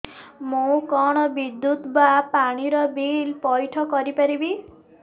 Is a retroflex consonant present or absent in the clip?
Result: present